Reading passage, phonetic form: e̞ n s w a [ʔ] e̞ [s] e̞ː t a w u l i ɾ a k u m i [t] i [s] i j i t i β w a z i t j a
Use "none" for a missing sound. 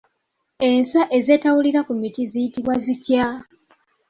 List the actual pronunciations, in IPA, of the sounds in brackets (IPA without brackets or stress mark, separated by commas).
ʔ, z, t, z